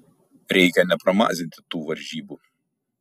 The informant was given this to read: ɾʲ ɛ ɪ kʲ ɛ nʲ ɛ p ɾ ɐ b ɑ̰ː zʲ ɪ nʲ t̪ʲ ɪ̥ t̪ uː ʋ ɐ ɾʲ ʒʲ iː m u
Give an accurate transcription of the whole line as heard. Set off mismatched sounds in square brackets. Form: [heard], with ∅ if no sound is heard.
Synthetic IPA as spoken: ɾʲ ɛ ɪ kʲ ɛ nʲ ɛ p ɾ ɐ [m] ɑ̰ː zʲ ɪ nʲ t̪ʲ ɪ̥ t̪ uː ʋ ɐ ɾʲ ʒʲ iː [b] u